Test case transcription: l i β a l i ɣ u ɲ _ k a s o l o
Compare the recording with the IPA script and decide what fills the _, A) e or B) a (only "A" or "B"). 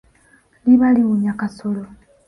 B